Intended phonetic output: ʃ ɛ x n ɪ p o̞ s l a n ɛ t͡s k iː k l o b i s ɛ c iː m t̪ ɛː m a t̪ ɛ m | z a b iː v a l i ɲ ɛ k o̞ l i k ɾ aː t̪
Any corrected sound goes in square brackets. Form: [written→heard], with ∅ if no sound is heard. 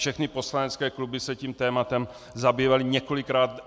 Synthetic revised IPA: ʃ ɛ x n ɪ p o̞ s l a n ɛ t͡s k [iː→ɛː] k l [o→u] b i s ɛ c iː m t̪ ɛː m a t̪ ɛ m | z a b iː v a l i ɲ ɛ k o̞ l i k ɾ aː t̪